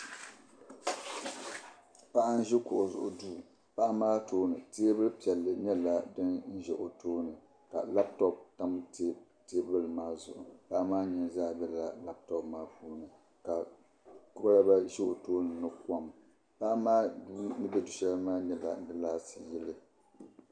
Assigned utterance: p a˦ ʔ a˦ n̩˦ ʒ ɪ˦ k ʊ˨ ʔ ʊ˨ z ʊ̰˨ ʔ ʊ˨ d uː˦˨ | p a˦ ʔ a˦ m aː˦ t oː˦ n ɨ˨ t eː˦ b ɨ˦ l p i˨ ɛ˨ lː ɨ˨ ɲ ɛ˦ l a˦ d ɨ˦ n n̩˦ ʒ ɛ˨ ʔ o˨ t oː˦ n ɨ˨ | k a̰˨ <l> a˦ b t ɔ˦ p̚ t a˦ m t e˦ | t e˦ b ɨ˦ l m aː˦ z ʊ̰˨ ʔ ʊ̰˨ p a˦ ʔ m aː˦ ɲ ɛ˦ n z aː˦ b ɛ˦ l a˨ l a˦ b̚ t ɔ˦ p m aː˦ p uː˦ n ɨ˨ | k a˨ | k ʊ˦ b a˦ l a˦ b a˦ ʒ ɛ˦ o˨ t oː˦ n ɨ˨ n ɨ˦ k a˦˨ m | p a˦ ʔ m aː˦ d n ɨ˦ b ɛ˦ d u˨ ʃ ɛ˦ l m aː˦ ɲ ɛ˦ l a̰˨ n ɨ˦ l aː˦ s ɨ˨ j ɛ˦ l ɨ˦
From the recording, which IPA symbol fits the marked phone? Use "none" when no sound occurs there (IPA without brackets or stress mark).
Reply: l